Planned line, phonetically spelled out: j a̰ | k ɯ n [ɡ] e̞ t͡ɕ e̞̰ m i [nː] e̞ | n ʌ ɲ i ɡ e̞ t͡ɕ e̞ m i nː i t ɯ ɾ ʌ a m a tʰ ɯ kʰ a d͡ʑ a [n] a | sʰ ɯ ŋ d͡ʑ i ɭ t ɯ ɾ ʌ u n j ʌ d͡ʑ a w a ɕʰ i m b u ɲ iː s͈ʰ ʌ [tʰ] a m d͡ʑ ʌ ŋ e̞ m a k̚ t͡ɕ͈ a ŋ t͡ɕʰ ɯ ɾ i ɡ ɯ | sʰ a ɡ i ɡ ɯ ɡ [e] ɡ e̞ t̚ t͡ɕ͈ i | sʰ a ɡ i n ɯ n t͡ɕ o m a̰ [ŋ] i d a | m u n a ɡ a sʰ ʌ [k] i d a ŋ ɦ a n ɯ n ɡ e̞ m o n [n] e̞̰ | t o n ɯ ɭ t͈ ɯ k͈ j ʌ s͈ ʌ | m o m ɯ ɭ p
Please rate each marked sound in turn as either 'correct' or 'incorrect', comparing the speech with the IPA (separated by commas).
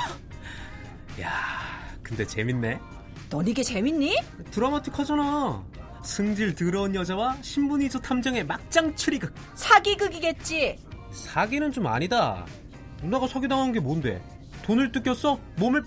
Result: incorrect, correct, correct, correct, incorrect, incorrect, incorrect, incorrect